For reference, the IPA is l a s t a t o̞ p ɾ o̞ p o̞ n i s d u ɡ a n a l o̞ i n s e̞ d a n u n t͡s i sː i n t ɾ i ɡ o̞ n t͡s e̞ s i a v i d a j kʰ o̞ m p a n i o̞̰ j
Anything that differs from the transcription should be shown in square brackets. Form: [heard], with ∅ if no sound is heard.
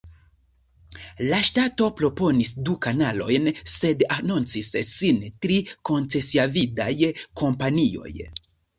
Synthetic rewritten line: l a [ʃ] t a t o̞ p ɾ o̞ p o̞ n i s d u [k] a n a l o̞ [j] n s e̞ d a n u n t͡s i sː i n t ɾ i [k] o̞ n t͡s e̞ s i a v i d a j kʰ o̞ m p a n i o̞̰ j